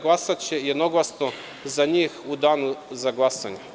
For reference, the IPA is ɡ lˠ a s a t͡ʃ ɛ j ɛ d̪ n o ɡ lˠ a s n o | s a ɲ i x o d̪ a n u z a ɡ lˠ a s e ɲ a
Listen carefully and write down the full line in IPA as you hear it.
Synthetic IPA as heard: ɡ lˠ a s a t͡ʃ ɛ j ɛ d̪ n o ɡ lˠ a s n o | z a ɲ i x u d̪ a n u z a ɡ lˠ a s a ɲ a